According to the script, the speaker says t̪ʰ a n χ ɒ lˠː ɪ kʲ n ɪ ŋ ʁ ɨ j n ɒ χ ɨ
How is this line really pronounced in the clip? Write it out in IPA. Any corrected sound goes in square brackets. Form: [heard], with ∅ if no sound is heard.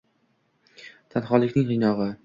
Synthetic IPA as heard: t̪ʰ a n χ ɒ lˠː ɪ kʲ n ɪ ŋ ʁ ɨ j n ɒ [ʁ] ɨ